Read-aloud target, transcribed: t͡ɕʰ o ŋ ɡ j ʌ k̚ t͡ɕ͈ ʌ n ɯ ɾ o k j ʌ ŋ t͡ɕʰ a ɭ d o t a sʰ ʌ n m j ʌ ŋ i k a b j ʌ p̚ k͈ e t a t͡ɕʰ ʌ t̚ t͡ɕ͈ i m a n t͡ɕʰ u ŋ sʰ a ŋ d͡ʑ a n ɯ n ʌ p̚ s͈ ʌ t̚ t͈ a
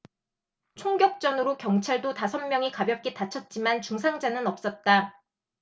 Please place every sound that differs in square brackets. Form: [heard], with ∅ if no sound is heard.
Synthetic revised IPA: t͡ɕʰ o ŋ ɡ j ʌ k̚ t͡ɕ͈ ʌ n ɯ ɾ o k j ʌ ŋ t͡ɕʰ a ɭ d o t a sʰ ʌ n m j ʌ ŋ i k a b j ʌ p̚ k͈ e t a t͡ɕʰ ʌ t̚ t͡ɕ͈ i m a n [t͡ɕ] u ŋ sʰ a ŋ d͡ʑ a n ɯ n ʌ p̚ s͈ ʌ t̚ t͈ a